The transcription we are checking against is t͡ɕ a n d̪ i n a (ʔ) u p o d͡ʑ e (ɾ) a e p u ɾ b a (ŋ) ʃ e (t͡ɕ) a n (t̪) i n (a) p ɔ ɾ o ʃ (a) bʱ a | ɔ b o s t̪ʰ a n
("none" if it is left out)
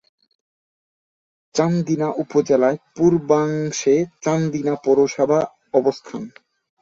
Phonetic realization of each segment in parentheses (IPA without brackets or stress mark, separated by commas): ʔ, l, ŋ, t͡ɕ, d̪, a, a